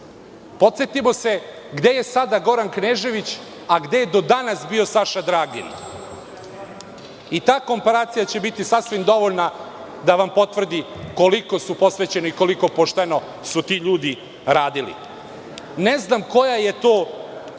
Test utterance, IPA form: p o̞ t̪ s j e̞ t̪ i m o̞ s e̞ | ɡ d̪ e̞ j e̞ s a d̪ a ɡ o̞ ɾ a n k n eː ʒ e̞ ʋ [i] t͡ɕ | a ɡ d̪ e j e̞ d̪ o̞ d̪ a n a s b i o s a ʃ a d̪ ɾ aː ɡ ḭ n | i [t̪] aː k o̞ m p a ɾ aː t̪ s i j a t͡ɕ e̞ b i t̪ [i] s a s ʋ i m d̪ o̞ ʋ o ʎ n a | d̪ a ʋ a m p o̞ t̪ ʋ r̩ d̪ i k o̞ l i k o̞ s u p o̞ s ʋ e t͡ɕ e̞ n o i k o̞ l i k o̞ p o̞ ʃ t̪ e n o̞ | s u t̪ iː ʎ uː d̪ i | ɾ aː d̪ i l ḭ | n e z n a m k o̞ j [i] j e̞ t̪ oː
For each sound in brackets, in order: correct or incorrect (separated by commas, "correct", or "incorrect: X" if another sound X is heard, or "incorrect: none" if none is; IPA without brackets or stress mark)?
correct, correct, correct, incorrect: a